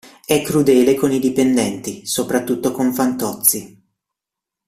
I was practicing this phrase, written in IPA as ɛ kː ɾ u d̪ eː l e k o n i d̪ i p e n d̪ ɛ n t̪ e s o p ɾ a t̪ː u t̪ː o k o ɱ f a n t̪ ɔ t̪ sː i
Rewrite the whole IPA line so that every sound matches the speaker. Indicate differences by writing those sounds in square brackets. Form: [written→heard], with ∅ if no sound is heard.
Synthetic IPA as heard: ɛ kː ɾ u d̪ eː l e k o n i d̪ i p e n d̪ ɛ n t̪ [e→i] s o p ɾ a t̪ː u t̪ː o k o ɱ f a n t̪ ɔ t̪ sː i